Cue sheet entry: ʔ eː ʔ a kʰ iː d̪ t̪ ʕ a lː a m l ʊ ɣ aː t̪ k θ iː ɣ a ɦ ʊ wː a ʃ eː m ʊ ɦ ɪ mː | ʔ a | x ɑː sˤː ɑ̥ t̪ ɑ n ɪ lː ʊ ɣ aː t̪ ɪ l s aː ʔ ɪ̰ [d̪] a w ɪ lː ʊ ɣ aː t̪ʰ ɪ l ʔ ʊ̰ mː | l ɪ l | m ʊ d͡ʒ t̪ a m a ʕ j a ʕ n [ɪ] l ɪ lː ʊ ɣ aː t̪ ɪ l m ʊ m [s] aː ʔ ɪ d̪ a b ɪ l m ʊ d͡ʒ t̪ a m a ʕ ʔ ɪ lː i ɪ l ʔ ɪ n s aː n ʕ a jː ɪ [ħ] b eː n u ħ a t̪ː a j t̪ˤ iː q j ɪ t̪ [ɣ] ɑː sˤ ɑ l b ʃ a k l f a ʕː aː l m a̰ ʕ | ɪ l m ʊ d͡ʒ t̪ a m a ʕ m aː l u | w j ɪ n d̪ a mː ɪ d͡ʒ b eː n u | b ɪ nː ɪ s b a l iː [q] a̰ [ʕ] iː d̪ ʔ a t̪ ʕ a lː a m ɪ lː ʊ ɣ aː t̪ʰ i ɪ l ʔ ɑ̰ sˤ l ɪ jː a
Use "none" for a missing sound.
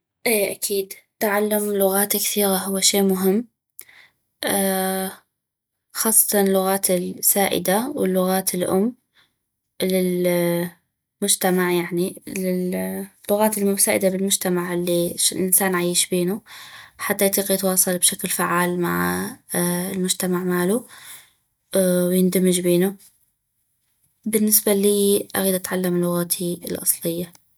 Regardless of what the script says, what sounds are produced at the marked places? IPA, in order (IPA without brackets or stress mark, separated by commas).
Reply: d̪, i, s, ʃ, w, ʔ, ɣ